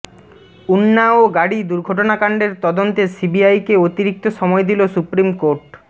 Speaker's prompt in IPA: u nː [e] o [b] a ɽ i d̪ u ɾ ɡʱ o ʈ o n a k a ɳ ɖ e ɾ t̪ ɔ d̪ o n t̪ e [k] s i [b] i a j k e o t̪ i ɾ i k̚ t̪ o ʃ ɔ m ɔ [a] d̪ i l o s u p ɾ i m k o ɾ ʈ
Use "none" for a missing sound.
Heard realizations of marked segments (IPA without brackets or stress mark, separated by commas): a, ɡ, none, b, e